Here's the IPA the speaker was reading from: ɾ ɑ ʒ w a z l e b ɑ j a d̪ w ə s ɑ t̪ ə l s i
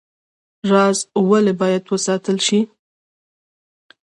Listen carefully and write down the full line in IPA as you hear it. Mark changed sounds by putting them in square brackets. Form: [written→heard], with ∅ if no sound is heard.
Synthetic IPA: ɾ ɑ [ʒ→z] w a [z→∅] l e b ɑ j a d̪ w ə s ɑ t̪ ə l [s→ʃ] i